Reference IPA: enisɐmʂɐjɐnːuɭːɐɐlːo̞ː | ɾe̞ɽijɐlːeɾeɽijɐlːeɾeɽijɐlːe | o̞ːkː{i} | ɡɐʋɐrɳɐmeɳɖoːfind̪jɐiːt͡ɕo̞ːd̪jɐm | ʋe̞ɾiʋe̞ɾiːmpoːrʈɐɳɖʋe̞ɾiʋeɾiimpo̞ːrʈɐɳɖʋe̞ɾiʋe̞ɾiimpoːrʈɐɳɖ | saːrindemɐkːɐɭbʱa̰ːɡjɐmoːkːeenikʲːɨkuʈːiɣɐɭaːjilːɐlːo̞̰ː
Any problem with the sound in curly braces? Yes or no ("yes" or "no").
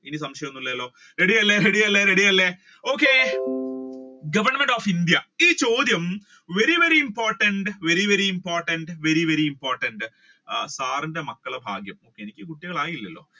yes